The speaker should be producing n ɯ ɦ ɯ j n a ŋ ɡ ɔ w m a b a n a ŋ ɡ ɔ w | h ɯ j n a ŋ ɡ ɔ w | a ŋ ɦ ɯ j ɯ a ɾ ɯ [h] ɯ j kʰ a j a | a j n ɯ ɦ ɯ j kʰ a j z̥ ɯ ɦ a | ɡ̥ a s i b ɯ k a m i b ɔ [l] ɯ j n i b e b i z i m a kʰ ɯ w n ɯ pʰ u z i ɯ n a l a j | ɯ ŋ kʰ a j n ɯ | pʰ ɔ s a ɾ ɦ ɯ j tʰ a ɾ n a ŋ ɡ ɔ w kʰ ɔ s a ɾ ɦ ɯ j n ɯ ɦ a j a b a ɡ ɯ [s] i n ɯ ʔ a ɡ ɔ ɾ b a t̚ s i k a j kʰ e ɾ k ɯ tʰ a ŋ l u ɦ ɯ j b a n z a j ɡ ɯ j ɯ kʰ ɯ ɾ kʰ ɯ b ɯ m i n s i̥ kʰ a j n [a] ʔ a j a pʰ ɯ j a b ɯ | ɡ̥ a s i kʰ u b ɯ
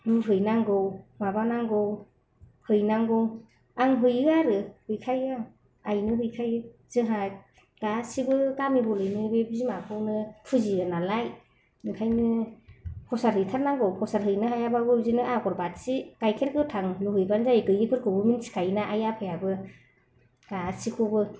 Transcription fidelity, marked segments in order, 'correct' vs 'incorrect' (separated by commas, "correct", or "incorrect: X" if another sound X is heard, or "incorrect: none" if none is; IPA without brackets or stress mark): correct, correct, incorrect: z, correct